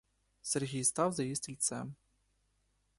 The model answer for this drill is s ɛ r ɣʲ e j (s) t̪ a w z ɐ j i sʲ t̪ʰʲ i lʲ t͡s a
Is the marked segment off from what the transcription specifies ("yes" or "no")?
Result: no